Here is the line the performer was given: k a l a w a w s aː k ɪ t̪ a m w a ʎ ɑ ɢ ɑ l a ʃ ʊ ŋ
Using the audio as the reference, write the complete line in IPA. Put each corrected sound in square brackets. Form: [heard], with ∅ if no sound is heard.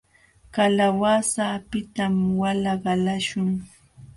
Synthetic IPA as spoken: k a l a w a [∅] s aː [p] ɪ t̪ a m w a [l] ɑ ɢ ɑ l a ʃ ʊ ŋ